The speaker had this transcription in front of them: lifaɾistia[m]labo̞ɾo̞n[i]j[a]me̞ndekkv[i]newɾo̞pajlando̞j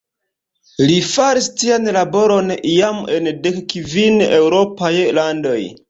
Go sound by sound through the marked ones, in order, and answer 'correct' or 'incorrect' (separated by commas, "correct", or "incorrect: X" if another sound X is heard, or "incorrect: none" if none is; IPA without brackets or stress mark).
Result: incorrect: n, correct, correct, correct